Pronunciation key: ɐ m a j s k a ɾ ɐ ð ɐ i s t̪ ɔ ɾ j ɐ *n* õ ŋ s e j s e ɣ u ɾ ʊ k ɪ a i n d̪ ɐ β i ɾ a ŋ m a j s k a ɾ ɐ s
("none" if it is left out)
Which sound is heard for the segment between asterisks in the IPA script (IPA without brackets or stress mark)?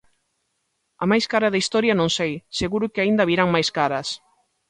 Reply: n